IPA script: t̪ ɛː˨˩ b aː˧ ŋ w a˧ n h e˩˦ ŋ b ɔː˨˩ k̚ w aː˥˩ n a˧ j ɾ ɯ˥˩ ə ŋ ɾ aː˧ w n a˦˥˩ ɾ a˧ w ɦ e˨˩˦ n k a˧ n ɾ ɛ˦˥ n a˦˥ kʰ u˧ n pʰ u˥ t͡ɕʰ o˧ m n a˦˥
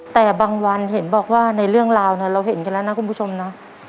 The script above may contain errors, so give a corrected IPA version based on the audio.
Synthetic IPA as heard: t̪ ɛː˨˩ b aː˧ ŋ w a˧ n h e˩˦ n b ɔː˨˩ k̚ w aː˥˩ n a˧ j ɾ ɯ˥˩ ə ŋ ɾ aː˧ w n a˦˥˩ ɾ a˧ w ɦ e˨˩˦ n k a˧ n l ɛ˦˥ n a˦˥ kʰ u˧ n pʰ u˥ t͡ɕʰ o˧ m n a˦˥